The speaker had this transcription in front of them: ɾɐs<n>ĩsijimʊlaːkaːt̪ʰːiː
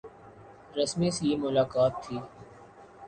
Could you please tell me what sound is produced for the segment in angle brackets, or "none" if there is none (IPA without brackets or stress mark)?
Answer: m